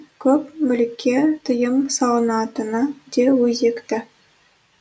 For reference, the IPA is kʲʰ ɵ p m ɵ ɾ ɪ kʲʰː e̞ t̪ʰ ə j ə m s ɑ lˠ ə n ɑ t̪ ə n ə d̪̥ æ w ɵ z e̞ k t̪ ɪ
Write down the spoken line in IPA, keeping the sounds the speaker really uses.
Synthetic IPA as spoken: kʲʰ ɵ p m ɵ l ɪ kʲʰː e̞ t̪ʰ ə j ə m s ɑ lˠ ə n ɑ t̪ ə n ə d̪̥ e w ɵ z e̞ k t̪ ɪ